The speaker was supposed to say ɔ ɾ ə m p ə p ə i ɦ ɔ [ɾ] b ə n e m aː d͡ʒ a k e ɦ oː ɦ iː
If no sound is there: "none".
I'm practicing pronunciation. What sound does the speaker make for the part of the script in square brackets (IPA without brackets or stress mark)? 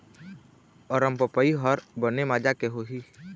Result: ɾ